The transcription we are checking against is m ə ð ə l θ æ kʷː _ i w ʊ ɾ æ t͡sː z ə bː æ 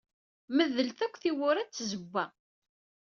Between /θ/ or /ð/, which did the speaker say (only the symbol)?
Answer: θ